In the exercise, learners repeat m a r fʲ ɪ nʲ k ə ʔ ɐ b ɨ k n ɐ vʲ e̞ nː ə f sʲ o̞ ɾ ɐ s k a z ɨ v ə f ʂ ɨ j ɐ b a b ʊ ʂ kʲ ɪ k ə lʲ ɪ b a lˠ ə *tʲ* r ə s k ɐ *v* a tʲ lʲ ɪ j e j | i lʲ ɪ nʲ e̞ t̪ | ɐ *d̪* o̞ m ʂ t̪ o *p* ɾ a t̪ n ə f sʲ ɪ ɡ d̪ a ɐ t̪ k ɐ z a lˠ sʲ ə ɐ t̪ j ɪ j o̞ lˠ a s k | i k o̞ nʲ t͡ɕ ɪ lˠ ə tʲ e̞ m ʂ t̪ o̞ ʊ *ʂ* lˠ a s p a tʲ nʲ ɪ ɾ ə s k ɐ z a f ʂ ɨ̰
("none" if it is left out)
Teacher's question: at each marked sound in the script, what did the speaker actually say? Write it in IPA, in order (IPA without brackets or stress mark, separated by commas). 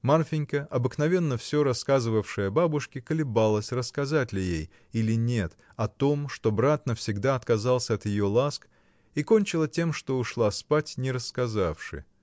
sʲ, z, t̪, b, ʂ